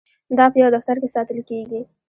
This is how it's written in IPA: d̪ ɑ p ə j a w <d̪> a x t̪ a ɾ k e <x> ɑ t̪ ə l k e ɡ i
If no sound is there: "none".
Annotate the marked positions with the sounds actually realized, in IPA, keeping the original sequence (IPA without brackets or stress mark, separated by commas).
d̪, s